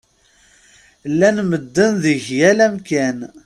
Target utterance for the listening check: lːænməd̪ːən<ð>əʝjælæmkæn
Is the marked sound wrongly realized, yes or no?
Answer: no